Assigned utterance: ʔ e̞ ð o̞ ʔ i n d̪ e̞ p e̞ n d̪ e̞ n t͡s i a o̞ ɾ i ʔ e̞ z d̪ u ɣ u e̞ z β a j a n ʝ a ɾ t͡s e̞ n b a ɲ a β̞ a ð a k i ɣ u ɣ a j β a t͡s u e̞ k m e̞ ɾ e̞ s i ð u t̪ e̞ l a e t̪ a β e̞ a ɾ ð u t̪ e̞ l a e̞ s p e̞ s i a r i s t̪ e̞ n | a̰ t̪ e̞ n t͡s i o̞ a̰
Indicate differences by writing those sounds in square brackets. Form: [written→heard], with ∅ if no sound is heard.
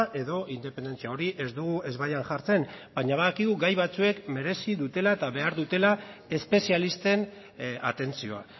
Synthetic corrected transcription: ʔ e̞ ð o̞ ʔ i n d̪ e̞ p e̞ n d̪ e̞ n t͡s i a o̞ ɾ i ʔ e̞ z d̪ u ɣ u e̞ z β a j a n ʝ a ɾ t͡s e̞ n b a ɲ a β̞ a ð a k i ɣ u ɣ a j β a t͡s u e̞ k m e̞ ɾ e̞ s i ð u t̪ e̞ l a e t̪ a β e̞ a ɾ ð u t̪ e̞ l a e̞ s p e̞ s i a [r→l] i s t̪ e̞ n | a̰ t̪ e̞ n t͡s i o̞ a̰

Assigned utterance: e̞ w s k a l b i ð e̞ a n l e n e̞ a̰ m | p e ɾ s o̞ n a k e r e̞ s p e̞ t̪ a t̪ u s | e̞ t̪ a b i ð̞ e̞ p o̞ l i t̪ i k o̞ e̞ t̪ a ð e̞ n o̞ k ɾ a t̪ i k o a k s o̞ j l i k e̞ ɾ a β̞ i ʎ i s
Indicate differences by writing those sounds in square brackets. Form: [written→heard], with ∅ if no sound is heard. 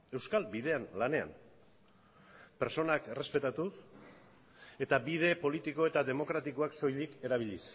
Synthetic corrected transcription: e̞ w s k a l b i ð e̞ a n l [e→a] n e̞ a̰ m | p e ɾ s o̞ n a k e r e̞ s p e̞ t̪ a t̪ u s | e̞ t̪ a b i ð̞ e̞ p o̞ l i t̪ i k o̞ e̞ t̪ a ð e̞ [n→m] o̞ k ɾ a t̪ i k o a k s o̞ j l i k e̞ ɾ a β̞ i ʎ i s

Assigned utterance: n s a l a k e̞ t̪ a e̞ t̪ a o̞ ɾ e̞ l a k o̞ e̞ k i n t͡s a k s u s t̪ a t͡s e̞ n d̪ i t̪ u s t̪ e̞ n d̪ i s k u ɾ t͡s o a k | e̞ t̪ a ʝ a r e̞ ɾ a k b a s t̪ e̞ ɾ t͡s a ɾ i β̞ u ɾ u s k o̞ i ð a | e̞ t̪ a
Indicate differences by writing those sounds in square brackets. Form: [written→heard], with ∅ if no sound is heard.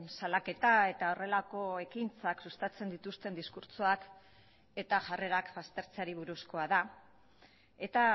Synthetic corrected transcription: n s a l a k e̞ t̪ a e̞ t̪ a o̞ [ɾ→r] e̞ l a k o̞ e̞ k i n t͡s a k s u s t̪ a t͡s e̞ n d̪ i t̪ u s t̪ e̞ n d̪ i s k u ɾ t͡s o a k | e̞ t̪ a ʝ a r e̞ ɾ a k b a s t̪ e̞ ɾ t͡s a ɾ i β̞ u ɾ u s k o̞ [i→a] ð a | e̞ t̪ a

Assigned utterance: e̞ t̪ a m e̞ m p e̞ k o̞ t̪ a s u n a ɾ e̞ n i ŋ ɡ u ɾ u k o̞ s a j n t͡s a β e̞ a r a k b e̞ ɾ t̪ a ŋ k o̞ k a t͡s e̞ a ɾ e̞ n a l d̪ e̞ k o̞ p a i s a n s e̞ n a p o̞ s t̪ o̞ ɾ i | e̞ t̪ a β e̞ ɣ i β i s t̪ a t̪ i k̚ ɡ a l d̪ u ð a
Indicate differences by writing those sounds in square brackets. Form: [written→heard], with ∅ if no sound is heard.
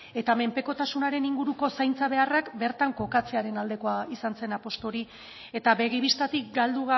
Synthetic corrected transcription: e̞ t̪ a m e̞ m p e̞ k o̞ t̪ a s u n a ɾ e̞ n i ŋ ɡ u ɾ u k o̞ s a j n t͡s a β e̞ a r a k b e̞ ɾ t̪ a ŋ k o̞ k a t͡s e̞ a ɾ e̞ n a l d̪ e̞ k o̞ [p→∅] a i s a n s e̞ n a p o̞ s t̪ o̞ ɾ i | e̞ t̪ a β e̞ ɣ i β i s t̪ a t̪ i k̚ ɡ a l d̪ u [ð→ɣ] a

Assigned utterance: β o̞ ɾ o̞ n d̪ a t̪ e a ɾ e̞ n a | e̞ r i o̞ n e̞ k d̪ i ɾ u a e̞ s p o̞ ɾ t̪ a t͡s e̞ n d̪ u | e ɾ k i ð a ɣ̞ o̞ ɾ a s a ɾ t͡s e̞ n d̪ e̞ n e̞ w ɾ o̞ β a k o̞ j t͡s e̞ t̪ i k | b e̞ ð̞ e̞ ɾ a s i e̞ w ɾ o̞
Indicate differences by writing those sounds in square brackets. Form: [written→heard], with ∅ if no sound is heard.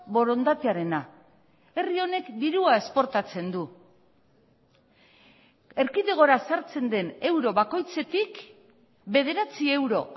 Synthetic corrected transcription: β o̞ ɾ o̞ n d̪ a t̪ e a ɾ e̞ n a | e̞ r i o̞ n e̞ k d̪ i ɾ u a e̞ s p o̞ ɾ t̪ a t͡s e̞ n d̪ u | e ɾ k i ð [a→e] ɣ̞ o̞ ɾ a s a ɾ t͡s e̞ n d̪ e̞ n e̞ w ɾ o̞ β a k o̞ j t͡s e̞ t̪ i k | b e̞ ð̞ e̞ ɾ a [s→t͡s] i e̞ w ɾ o̞

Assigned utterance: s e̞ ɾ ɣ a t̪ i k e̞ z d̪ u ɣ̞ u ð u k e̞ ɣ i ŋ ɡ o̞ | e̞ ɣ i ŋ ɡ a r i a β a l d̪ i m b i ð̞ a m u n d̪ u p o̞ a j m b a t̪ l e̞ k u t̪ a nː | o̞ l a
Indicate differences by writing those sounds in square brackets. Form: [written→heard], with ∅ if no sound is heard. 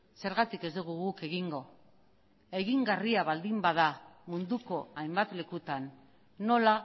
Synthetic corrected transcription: s e̞ ɾ ɣ a t̪ i k e̞ z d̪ u ɣ̞ u [ð→ɣ] u k e̞ ɣ i ŋ ɡ o̞ | e̞ ɣ i ŋ ɡ a r i a β a l d̪ i m b [i→a] ð̞ a m u n d̪ u [p→k] o̞ a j m b a t̪ l e̞ k u t̪ a nː | o̞ l a

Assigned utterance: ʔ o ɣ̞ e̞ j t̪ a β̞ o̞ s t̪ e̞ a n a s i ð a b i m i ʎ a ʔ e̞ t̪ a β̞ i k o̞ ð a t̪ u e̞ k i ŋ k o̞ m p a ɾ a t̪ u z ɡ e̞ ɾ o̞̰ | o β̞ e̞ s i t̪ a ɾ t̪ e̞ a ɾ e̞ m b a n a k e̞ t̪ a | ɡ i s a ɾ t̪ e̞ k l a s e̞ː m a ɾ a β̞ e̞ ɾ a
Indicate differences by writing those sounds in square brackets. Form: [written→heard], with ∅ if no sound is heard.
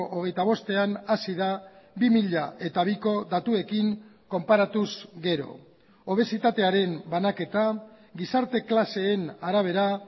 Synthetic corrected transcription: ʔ o ɣ̞ e̞ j t̪ a β̞ o̞ s t̪ e̞ a n a s i ð a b i m i ʎ a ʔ e̞ t̪ a β̞ i k o̞ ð a t̪ u e̞ k i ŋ k o̞ m p a ɾ a t̪ u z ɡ e̞ ɾ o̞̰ | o β̞ e̞ s i t̪ a [ɾ→∅] t̪ e̞ a ɾ e̞ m b a n a k e̞ t̪ a | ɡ i s a ɾ t̪ e̞ k l a s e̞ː [m→n] a ɾ a β̞ e̞ ɾ a

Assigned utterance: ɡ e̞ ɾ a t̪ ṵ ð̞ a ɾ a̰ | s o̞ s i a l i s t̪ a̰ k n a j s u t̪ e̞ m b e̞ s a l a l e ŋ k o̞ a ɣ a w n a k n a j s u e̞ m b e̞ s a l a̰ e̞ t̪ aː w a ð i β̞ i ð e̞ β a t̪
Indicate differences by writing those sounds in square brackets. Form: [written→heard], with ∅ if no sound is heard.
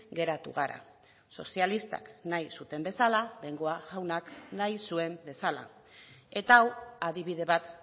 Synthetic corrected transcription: ɡ e̞ ɾ a t̪ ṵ [ð̞→ɣ̞] a ɾ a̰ | s o̞ s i a l i s t̪ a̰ k n a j s u t̪ e̞ m b e̞ s a l a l e ŋ [k→ɡ] o̞ a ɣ a w n a k n a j s u e̞ m b e̞ s a l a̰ e̞ t̪ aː w a ð i β̞ i ð e̞ β a t̪

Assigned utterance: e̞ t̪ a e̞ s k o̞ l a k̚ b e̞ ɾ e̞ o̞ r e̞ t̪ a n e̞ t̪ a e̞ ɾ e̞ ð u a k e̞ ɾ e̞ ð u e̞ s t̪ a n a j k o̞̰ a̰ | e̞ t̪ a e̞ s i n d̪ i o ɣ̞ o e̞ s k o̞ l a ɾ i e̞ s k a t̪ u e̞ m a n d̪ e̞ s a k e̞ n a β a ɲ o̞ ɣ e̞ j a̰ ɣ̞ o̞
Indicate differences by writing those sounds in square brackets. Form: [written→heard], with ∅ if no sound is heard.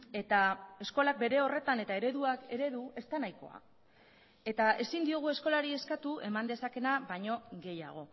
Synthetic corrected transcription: e̞ t̪ a e̞ s k o̞ l a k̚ b e̞ ɾ e̞ o̞ r e̞ t̪ a n e̞ t̪ a e̞ ɾ e̞ ð u a k e̞ ɾ e̞ ð u e̞ s t̪ a n a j k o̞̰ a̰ | e̞ t̪ a e̞ s i n d̪ i o ɣ̞ [o→u] e̞ s k o̞ l a ɾ i e̞ s k a t̪ u e̞ m a n d̪ e̞ s a k e̞ n a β a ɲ o̞ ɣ e̞ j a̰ ɣ̞ o̞

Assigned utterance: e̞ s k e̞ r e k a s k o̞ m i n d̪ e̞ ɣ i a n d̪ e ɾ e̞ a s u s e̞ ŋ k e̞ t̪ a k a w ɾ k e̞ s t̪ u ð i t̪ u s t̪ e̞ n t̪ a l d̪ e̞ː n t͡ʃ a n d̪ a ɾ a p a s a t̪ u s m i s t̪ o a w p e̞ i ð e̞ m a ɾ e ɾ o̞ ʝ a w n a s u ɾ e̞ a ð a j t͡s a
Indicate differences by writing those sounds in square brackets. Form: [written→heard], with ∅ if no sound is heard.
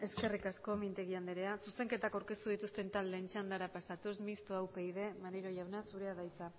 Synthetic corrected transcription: e̞ s k e̞ r [e→i] k a s k o̞ m i n [d̪→t̪] e̞ ɣ i a n d̪ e ɾ e̞ a s u s e̞ ŋ k e̞ t̪ a k a w ɾ k e̞ s t̪ u ð i t̪ u s t̪ e̞ n t̪ a l d̪ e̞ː n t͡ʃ a n d̪ a ɾ a p a s a t̪ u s m i s t̪ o a w p e̞ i ð e̞ m a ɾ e ɾ o̞ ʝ a w n a s u ɾ e̞ a ð a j t͡s a

